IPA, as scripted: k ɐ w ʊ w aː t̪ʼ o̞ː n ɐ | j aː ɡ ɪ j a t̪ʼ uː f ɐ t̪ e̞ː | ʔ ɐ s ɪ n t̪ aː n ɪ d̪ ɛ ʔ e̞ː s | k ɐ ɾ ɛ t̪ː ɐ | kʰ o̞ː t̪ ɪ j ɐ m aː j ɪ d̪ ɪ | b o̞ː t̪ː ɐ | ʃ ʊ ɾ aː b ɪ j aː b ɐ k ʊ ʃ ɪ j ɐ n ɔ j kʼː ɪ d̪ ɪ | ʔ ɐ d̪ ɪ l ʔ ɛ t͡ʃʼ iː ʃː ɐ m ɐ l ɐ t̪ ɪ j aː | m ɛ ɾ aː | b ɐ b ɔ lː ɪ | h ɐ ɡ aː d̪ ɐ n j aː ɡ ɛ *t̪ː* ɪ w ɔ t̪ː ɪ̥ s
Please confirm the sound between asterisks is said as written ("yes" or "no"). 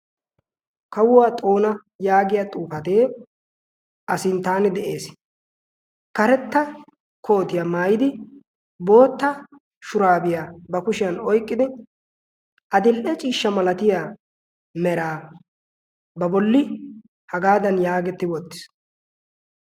yes